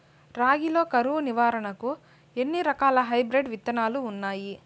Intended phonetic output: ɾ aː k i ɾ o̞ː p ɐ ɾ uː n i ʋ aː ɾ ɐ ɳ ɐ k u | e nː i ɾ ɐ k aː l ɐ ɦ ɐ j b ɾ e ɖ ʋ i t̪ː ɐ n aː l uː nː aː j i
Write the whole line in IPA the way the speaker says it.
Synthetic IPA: ɾ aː ɡ i l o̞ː k ɐ ɾ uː n i ʋ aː ɾ ɐ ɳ ɐ k u | e nː i ɾ ɐ k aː l ɐ ɦ ɐ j b ɾ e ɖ ʋ i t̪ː ɐ n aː l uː nː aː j i